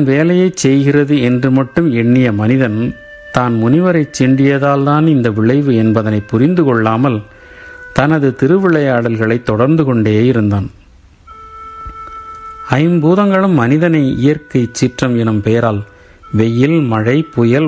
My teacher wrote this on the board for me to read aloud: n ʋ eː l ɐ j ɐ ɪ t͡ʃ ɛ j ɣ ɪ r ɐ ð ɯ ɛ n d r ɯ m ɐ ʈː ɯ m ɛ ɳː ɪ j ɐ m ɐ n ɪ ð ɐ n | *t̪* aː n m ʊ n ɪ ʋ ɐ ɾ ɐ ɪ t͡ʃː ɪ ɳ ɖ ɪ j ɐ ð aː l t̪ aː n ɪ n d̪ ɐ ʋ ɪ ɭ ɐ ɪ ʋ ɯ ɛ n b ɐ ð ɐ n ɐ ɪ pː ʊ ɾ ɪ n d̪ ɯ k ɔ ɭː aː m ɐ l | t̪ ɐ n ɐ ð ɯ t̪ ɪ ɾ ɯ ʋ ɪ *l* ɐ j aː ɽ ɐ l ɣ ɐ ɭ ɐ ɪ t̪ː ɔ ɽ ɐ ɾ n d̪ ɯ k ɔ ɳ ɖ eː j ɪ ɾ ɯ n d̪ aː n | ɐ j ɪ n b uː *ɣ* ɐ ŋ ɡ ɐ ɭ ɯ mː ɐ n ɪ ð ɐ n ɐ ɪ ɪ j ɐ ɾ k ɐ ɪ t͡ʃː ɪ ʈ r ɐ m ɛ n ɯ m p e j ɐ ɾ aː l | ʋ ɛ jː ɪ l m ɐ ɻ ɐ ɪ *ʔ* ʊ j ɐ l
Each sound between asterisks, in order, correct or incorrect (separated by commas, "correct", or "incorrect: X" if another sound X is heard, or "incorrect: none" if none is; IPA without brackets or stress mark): correct, incorrect: ɭ, incorrect: ð, incorrect: p